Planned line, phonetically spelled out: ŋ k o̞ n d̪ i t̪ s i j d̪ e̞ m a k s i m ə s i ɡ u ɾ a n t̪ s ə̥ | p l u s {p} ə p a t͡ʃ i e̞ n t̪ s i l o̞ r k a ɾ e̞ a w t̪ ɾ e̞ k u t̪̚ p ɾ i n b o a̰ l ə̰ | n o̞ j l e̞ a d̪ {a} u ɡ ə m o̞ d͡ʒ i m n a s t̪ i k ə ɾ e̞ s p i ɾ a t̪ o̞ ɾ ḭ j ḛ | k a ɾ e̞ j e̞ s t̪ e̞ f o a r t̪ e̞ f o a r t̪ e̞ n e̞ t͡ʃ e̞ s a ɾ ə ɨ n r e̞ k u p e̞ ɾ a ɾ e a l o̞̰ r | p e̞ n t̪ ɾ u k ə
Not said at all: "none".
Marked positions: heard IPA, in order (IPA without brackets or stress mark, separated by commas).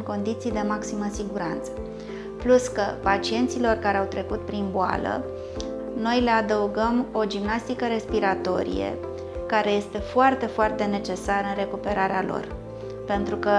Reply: k, ə